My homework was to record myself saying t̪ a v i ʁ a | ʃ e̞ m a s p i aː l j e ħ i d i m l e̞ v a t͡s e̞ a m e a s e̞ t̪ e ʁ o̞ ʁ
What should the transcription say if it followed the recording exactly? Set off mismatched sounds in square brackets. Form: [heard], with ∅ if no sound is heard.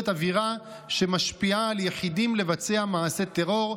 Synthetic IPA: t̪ a v i ʁ a | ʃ e̞ m a [ʃ] p i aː l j e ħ i d i m l e̞ v a t͡s e̞ a m [a] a s e̞ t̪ e ʁ o̞ ʁ

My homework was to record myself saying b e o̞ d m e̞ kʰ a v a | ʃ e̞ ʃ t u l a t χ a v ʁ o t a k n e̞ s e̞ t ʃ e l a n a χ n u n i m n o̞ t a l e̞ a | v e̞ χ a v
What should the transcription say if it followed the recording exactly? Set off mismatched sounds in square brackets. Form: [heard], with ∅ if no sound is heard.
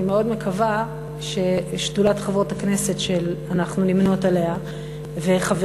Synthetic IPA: [m] e o̞ d m e̞ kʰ a v a | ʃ e̞ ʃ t u l a t χ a v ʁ o t a k n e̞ s e̞ t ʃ e l a n a χ n u n i m n o̞ t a l e̞ a | v e̞ χ a v

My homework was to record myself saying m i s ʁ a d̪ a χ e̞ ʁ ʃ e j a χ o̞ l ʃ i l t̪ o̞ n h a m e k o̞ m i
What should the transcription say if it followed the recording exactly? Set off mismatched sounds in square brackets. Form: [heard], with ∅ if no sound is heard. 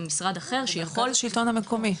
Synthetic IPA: m i s ʁ a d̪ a χ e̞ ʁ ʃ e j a χ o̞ l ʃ i l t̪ o̞ n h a m e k o̞ m i

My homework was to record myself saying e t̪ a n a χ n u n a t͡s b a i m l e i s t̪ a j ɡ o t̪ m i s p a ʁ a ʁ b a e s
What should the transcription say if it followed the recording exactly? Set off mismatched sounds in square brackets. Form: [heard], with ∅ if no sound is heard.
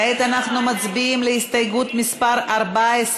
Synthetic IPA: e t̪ a n a χ n u [m] a t͡s b [i] i m l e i s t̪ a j ɡ [u] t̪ m i s p a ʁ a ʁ b a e s

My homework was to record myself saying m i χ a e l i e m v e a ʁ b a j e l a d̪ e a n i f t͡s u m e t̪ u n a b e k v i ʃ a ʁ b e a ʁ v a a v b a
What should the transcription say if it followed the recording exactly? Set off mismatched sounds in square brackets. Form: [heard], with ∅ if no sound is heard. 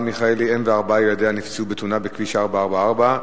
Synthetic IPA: m i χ a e l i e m v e a ʁ b a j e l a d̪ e a n i f t͡s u [b] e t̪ u n a b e k v i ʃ a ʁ b [a] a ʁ [b] a a [ʁ] b a

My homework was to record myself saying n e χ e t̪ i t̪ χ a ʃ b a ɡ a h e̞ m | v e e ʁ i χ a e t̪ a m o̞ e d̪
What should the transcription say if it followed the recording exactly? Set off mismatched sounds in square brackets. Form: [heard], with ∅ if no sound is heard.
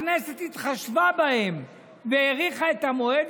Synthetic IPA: n e [s] e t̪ i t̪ χ a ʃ [v] a [b] a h e̞ m | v e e ʁ i χ a e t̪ a m o̞ e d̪

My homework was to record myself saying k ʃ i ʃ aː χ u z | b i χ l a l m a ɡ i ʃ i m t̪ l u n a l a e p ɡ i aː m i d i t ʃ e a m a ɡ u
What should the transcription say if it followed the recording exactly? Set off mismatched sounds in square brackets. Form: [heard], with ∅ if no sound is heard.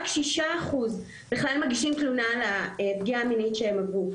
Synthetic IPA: k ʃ i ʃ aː χ u z | b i χ l a l m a ɡ i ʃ i m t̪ l u n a l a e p ɡ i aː m i [n] i t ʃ e [e] m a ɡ u

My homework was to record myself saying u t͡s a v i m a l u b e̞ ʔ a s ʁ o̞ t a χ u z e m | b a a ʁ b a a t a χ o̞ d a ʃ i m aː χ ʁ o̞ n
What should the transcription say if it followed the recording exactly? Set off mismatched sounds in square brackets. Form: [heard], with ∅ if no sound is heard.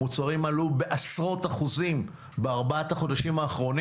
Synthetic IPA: u t͡s a [ʁ] i m a l u b e̞ ʔ a s ʁ o̞ t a χ u z [i] m | b [e] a ʁ b a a t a χ o̞ d a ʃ i m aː χ ʁ o̞ n

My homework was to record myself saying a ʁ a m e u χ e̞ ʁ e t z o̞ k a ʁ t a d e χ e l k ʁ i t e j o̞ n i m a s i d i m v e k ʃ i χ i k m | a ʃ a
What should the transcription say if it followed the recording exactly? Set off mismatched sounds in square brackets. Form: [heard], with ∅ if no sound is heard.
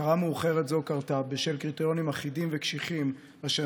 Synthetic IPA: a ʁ a m e u χ e̞ ʁ e t z o̞ k a ʁ t a [b] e [ʃ] e l k ʁ i t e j o̞ n i m a [χ] i d i m v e k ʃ i χ i [∅] m | a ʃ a

